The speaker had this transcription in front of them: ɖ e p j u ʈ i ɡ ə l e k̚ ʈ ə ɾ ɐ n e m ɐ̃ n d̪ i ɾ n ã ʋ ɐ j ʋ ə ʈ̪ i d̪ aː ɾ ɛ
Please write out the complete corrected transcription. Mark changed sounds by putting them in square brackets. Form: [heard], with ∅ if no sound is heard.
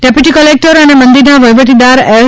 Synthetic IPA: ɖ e p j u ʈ i [k] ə l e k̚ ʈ ə ɾ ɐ n e m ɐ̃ n d̪ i ɾ n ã ʋ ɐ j ʋ ə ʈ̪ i d̪ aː ɾ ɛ